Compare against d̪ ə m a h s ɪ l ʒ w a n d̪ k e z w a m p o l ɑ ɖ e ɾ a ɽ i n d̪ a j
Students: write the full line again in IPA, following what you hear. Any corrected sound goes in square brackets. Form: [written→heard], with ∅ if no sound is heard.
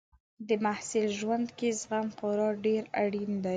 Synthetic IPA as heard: d̪ ə m a h s ɪ l ʒ w a n d̪ k e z [w→ɣ] a m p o [l→ɾ] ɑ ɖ e ɾ a ɽ i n d̪ a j

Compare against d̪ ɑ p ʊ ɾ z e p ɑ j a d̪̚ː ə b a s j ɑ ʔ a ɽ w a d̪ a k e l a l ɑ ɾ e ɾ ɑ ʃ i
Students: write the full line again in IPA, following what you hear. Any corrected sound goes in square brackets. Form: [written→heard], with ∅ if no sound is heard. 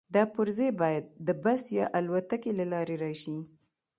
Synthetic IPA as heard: d̪ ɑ p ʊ ɾ z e [p→b] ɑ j a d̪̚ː ə b a s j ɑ ʔ a [ɽ→l] w a [d̪→t̪] a k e l a l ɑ ɾ e ɾ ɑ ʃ i

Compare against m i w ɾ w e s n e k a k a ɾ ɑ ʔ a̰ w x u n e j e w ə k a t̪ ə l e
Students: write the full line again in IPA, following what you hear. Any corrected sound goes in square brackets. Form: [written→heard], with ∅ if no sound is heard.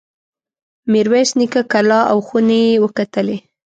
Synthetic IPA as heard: m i [w→∅] ɾ w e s n [e→i] k a k a [ɾ→l] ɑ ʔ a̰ w x u n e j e w ə k a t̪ ə l e

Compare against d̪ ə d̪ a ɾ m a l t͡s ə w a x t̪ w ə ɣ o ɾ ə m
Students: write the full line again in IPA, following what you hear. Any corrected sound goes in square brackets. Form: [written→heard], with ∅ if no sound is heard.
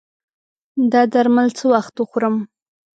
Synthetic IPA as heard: d̪ [ə→ɑ] d̪ a ɾ m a l t͡s ə w a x t̪ w ə [ɣ→x] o ɾ ə m

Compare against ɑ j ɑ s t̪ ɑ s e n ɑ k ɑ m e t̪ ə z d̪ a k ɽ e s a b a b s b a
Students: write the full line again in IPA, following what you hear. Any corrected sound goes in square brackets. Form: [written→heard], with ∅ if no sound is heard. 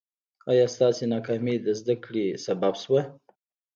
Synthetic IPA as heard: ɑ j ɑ s t̪ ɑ s e n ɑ k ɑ m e [t̪→d̪] ə z d̪ a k ɽ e s a b a b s [b→w] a

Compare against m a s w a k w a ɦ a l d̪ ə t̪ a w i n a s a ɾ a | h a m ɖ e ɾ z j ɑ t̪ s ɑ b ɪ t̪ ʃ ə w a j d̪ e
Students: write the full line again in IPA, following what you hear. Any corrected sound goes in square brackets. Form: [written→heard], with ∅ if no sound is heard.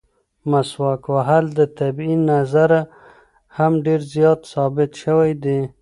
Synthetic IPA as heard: m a s w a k w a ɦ a l d̪ ə t̪ a [w→b] i n a [s→z] a ɾ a | h a m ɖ e ɾ z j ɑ t̪ s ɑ b ɪ t̪ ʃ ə w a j d̪ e

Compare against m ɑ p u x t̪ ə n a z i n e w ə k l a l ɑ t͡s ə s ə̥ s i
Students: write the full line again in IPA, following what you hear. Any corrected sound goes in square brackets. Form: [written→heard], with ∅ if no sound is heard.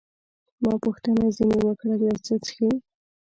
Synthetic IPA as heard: m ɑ p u x t̪ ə n a z i n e w ə k [l→ɽ] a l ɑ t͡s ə [s→t͡s] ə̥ [s→x] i

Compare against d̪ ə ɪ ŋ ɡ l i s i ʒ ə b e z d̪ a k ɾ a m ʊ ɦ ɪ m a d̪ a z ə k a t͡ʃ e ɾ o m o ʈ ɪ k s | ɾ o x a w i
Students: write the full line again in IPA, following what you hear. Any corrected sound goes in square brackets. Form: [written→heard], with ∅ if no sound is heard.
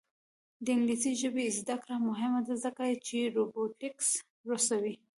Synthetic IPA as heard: d̪ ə ɪ ŋ ɡ l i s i ʒ ə b e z d̪ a k ɾ a m ʊ ɦ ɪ m a d̪ a z ə k a t͡ʃ e ɾ o [m→b] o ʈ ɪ k s | ɾ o [x→s] a w i

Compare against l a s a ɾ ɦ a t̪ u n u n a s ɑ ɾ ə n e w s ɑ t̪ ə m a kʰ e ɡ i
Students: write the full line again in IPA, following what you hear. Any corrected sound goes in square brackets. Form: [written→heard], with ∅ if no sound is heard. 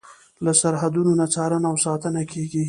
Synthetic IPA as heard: l a s a ɾ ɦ a [t̪→d̪] u n [u→o] n a [s→t͡s] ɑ ɾ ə n [e→a] w s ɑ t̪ ə [m→n] a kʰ e ɡ i

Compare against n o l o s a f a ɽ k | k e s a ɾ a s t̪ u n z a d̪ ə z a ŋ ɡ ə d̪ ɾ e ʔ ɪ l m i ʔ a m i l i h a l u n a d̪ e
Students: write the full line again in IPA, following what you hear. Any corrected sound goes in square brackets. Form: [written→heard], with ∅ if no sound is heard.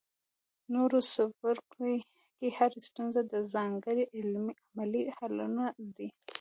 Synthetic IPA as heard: n o [l→ɾ] o s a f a [ɽ→ɾ] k | k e [s→h] a ɾ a s t̪ u n z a d̪ ə z [a→ɑ] ŋ ɡ ə [d̪→∅] ɾ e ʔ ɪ l m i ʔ a m [i→a] l i h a l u n a d̪ [e→i]

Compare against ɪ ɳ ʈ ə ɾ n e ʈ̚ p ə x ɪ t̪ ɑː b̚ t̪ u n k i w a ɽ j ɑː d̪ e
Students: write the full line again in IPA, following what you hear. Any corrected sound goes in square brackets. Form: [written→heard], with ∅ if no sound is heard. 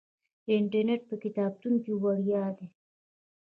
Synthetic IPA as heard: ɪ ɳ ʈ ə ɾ n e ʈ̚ p ə [x→k] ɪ t̪ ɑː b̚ t̪ u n k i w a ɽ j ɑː d̪ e

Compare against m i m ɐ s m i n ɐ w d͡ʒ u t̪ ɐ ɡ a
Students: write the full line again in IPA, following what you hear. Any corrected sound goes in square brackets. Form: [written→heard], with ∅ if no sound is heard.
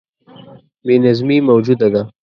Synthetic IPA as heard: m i [m→n] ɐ [s→z] m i [n→m] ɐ w d͡ʒ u [t̪→d̪] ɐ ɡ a

